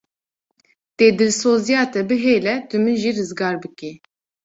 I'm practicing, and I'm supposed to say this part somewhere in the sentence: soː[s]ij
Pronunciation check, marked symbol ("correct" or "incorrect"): incorrect